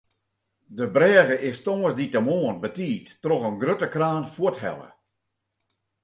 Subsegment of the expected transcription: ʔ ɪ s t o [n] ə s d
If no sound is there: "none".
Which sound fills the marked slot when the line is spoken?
ŋ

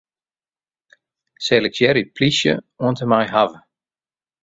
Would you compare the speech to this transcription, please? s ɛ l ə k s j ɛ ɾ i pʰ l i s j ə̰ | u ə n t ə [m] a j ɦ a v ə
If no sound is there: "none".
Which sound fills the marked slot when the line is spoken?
m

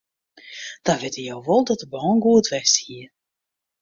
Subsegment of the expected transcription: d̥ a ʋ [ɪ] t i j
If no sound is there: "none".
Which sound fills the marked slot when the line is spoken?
ɪ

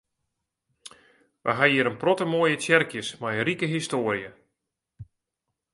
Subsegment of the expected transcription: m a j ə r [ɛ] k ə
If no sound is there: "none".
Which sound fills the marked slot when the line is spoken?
i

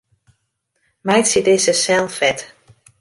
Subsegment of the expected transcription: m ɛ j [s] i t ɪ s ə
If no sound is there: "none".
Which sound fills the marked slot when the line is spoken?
s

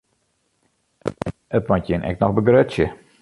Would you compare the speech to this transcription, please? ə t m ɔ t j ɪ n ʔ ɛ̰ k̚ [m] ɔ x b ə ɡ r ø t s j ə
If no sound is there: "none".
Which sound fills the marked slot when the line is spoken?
n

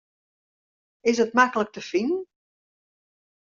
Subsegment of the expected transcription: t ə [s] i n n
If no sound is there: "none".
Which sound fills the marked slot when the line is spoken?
f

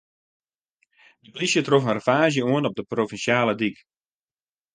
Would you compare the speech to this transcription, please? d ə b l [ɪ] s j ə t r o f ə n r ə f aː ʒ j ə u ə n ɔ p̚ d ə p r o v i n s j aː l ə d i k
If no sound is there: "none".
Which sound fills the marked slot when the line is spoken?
i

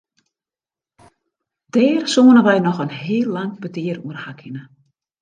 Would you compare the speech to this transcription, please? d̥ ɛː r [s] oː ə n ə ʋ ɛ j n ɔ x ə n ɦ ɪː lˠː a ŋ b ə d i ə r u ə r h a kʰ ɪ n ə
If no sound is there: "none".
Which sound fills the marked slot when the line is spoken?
s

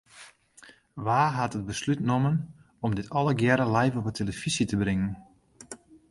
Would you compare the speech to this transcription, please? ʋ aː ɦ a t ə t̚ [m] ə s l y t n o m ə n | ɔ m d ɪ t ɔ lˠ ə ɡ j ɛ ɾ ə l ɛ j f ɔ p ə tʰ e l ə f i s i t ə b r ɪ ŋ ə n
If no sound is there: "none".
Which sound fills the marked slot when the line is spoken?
b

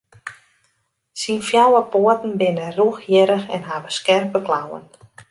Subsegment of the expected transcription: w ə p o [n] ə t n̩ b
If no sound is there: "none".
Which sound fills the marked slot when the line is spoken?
none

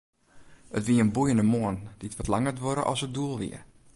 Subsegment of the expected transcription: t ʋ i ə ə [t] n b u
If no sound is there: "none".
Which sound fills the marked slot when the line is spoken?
none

